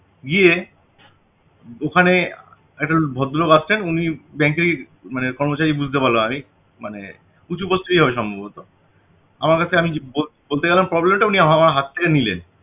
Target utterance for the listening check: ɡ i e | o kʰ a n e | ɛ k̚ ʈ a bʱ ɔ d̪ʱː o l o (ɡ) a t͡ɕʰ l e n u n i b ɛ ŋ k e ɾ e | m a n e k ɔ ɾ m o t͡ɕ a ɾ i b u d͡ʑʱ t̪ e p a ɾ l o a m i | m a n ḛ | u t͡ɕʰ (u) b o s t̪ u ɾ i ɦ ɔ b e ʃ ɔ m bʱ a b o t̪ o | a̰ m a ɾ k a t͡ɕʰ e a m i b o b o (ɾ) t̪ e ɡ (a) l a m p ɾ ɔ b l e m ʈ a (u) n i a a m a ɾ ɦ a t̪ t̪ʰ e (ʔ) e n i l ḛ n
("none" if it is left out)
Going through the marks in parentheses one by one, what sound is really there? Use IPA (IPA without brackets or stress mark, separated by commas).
ɡ, u, l, ɛ, u, k